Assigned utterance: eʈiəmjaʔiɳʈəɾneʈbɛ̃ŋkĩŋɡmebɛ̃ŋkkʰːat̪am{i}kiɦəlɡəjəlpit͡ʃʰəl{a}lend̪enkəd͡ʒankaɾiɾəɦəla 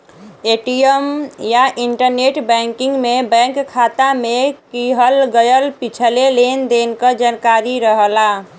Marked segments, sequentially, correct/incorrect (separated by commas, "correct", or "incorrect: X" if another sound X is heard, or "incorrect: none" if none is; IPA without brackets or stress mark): incorrect: e, incorrect: e